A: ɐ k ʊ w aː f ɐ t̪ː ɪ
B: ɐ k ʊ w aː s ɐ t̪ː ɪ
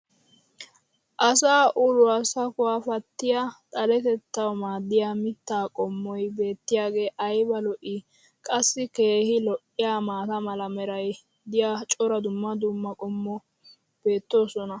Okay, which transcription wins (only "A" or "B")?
A